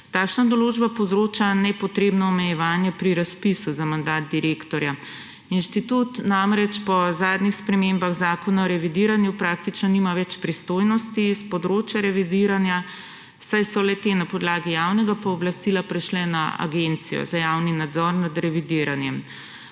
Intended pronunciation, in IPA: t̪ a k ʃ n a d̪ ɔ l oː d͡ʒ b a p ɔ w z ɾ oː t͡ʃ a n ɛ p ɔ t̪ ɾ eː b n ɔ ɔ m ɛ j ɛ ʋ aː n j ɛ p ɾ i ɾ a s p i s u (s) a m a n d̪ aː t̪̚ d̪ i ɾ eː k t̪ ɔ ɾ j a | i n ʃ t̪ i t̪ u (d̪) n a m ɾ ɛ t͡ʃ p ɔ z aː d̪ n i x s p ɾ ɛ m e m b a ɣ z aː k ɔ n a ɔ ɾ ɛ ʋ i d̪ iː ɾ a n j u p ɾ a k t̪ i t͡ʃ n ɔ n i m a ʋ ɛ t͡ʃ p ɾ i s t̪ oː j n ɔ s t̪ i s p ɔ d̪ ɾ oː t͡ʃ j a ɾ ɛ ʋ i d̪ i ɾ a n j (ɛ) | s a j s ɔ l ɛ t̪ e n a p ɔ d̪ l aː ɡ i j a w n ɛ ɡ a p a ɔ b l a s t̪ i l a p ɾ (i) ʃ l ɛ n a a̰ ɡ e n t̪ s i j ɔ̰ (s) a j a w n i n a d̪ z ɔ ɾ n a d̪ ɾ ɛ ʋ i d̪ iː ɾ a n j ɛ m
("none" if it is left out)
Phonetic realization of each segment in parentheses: z, t̪, a, ɛ, z

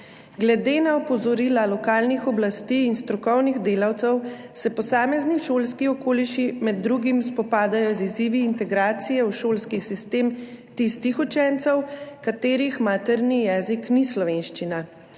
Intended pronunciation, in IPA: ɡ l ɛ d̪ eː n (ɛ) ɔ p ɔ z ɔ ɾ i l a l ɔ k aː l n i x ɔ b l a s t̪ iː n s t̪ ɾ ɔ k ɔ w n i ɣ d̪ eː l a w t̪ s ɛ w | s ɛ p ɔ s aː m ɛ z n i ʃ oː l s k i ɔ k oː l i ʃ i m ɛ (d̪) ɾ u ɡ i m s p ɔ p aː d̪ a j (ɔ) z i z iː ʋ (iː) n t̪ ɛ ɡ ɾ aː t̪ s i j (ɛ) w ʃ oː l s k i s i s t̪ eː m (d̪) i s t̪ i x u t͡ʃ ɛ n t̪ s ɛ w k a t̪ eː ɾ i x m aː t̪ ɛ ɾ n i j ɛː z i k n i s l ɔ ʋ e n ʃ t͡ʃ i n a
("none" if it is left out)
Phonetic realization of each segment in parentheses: a, d̪ː, ɔ, iː, ɛ, t̪

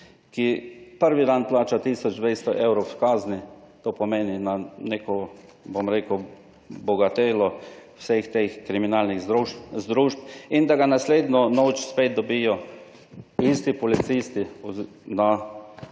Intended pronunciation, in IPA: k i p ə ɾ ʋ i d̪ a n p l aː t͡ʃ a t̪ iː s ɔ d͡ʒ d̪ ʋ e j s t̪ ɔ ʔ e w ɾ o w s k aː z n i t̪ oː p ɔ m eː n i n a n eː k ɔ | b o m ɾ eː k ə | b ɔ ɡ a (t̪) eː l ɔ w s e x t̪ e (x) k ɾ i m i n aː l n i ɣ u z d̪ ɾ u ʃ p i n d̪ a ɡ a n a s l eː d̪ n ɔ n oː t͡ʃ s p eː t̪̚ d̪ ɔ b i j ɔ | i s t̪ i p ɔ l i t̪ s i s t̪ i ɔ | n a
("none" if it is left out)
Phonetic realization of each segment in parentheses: t̪, x

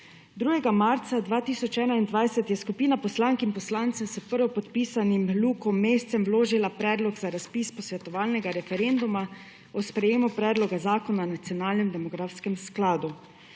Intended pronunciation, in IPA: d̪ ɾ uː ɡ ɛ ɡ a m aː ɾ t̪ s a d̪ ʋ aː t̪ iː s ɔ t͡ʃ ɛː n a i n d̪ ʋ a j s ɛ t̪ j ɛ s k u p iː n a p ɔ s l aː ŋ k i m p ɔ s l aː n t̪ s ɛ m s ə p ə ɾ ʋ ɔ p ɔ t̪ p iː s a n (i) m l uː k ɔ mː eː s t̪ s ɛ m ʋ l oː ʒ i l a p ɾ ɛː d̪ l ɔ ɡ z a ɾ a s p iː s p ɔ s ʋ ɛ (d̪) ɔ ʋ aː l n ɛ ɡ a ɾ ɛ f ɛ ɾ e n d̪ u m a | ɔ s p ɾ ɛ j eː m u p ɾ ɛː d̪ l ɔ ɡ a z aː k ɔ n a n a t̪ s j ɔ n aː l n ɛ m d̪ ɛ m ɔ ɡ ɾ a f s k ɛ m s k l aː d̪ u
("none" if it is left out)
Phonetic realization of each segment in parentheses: i, t̪

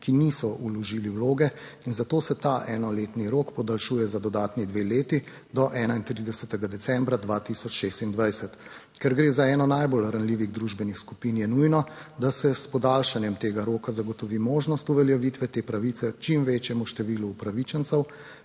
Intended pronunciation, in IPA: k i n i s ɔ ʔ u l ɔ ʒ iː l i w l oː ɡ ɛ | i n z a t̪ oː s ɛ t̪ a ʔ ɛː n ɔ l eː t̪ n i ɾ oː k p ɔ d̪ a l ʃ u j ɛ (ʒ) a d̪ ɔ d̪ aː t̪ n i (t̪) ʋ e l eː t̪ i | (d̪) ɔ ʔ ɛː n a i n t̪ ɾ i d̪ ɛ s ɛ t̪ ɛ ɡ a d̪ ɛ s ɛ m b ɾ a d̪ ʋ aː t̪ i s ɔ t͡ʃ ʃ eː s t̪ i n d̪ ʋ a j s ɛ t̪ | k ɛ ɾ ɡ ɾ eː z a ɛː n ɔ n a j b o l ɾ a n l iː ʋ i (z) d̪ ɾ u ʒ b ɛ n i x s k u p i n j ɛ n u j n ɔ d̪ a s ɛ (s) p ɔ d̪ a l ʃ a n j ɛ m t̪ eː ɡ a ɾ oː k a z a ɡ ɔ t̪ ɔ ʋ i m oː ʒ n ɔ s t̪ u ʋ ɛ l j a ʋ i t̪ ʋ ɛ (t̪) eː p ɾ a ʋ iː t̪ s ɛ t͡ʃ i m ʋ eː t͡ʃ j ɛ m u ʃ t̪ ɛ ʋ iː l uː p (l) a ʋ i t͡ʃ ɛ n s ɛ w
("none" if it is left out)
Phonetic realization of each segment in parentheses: z, d̪, d̪, ɣ, s, t̪, ɾ

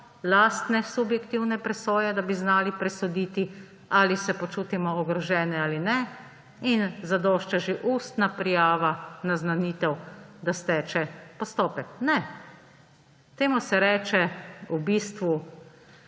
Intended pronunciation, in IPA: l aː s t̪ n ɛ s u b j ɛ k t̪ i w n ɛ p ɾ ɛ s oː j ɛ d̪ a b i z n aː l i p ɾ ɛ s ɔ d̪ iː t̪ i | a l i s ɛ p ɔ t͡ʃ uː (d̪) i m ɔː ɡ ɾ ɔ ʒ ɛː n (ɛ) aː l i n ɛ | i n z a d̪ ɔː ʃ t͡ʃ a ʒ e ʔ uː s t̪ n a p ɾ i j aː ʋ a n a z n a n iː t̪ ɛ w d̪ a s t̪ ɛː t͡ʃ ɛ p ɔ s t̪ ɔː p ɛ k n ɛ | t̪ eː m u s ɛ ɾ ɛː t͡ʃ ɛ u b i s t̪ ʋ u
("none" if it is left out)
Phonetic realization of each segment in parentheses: t̪, ɛ

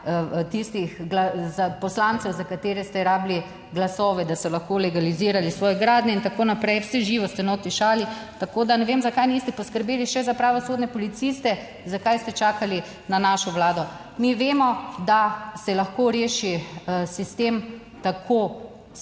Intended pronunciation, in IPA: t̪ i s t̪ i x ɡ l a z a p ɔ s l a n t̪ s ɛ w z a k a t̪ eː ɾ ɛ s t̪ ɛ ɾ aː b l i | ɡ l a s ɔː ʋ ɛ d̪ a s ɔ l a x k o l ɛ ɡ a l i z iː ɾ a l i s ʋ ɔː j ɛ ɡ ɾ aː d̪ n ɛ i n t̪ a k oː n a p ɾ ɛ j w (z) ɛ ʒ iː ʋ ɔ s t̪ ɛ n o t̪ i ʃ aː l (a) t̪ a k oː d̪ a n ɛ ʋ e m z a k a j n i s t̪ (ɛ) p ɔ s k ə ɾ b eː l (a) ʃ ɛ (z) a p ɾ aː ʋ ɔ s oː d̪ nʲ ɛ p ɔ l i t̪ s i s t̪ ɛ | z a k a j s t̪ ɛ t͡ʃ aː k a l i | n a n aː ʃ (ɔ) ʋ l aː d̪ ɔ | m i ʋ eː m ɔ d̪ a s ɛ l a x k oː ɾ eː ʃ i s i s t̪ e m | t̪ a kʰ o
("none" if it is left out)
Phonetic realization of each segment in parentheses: s, i, ɛ, i, z, ɔ

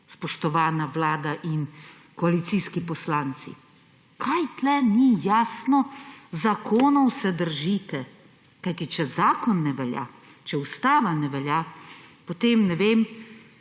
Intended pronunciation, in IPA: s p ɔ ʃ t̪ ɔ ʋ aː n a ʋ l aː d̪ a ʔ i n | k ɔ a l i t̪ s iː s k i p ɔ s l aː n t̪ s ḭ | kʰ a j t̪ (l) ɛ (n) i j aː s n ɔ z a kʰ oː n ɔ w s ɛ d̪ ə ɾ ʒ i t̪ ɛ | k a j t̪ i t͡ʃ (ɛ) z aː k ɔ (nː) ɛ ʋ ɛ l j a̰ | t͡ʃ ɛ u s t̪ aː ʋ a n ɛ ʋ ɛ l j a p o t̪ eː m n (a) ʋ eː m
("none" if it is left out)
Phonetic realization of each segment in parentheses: l, n, ɛ, nː, ɛ

